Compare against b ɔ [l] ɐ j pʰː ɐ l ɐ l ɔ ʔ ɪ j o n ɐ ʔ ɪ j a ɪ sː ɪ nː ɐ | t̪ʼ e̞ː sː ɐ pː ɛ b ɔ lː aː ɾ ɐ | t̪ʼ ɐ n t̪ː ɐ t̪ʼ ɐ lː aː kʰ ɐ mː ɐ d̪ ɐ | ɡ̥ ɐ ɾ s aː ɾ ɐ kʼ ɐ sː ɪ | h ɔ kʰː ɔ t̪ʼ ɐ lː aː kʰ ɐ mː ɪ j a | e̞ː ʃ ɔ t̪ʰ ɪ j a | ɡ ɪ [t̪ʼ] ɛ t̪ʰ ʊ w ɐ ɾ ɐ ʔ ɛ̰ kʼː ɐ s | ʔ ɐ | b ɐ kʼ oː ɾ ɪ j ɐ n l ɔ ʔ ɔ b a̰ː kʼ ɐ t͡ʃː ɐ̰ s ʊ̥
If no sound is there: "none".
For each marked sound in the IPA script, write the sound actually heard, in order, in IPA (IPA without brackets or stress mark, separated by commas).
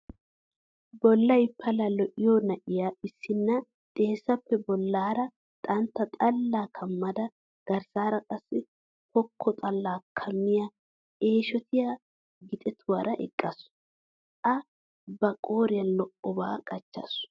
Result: lː, t̪ʼ